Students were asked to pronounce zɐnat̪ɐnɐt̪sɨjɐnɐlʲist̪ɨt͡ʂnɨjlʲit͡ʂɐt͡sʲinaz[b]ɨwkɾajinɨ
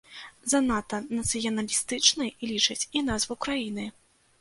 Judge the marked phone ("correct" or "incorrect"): incorrect